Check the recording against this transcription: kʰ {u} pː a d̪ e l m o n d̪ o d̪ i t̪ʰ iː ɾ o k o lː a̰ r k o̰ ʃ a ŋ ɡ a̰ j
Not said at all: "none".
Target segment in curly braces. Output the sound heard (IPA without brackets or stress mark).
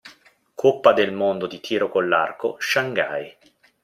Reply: o